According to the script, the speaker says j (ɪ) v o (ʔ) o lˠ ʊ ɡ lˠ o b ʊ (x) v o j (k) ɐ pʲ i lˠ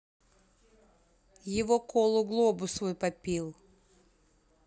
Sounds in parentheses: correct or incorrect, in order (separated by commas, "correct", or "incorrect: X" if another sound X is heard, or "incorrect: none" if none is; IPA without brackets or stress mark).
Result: correct, incorrect: k, incorrect: s, incorrect: p